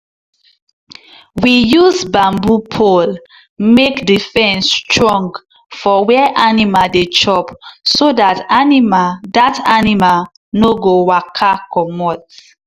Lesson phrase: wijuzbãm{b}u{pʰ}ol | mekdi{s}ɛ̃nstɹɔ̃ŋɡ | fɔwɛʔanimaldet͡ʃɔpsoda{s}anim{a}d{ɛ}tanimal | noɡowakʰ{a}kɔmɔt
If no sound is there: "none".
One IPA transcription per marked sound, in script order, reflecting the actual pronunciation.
b, pʰ, f, t, a, a, a

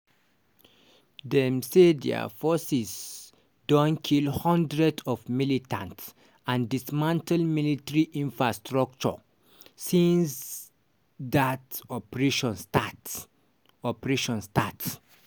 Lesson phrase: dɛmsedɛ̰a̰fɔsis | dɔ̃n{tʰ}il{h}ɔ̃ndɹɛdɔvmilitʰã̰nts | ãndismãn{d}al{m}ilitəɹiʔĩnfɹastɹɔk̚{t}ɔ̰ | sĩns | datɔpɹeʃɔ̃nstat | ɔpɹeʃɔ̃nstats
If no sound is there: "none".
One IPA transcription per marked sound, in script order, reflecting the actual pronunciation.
kʰ, h, t, m, t͡ʃ

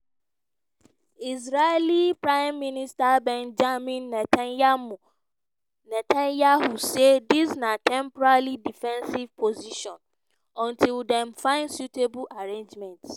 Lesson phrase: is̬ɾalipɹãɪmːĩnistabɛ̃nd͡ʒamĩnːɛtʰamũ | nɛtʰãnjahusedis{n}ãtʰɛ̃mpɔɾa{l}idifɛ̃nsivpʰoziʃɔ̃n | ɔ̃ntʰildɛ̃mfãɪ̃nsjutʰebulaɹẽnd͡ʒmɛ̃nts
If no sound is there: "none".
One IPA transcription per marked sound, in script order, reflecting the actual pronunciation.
n, l

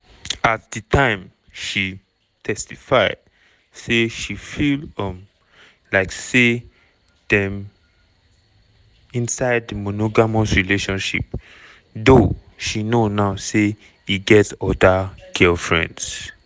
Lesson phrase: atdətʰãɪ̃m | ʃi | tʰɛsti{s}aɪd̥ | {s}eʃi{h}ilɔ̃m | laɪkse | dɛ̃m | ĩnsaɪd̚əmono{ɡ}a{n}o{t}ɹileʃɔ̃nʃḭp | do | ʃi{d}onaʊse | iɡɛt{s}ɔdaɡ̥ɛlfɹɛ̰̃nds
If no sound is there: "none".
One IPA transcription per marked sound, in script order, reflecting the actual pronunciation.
f, s, f, ɡ, m, s, n, s

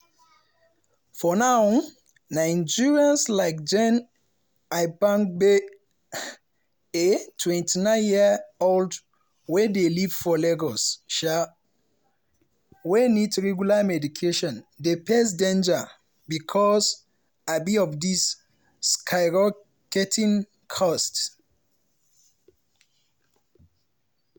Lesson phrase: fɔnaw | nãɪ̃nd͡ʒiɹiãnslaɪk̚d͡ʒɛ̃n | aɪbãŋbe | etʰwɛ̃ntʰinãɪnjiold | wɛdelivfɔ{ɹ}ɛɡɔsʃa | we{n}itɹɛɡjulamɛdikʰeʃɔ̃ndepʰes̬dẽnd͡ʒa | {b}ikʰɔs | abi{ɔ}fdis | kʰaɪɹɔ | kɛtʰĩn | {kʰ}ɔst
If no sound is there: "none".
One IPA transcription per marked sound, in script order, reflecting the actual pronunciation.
l, n, b, ɔ, kʰ

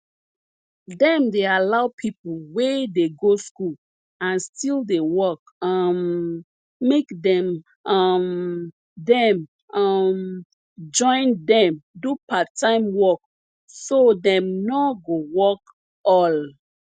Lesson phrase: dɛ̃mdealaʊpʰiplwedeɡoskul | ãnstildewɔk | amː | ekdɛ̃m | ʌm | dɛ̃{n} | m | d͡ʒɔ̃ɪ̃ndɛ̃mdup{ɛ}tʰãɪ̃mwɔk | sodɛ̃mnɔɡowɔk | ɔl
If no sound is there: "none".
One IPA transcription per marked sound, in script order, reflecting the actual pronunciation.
m, a

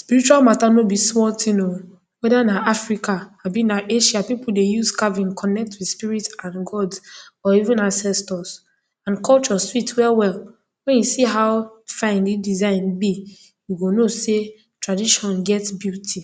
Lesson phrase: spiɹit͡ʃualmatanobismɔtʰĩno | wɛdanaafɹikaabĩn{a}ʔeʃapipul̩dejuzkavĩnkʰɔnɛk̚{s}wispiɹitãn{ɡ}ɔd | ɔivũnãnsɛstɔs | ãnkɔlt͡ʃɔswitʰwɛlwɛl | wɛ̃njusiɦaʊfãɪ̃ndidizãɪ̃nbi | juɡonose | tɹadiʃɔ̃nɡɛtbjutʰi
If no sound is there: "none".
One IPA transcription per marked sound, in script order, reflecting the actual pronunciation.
a, t, ɡ

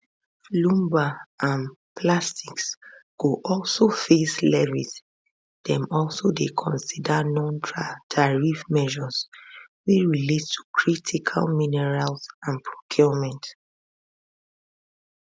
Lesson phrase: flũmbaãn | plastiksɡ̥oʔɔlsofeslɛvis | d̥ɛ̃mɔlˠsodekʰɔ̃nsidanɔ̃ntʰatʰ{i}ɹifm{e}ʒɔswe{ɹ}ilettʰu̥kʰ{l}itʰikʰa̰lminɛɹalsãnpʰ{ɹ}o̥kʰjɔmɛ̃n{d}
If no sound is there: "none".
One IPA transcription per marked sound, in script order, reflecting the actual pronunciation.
a, ɛ, ɹ, ɹ, ɹ, t

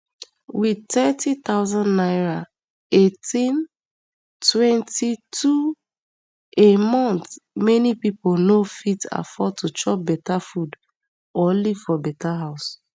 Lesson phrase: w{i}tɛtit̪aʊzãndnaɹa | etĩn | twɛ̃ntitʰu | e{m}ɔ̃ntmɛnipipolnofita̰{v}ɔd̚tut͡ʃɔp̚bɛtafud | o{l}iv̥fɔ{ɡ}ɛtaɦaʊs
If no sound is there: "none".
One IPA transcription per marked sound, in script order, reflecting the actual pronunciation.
i, m, f, l, b

